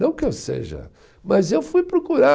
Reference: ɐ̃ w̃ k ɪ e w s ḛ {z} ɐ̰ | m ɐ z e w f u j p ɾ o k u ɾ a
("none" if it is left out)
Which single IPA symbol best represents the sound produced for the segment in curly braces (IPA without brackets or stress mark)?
ʒ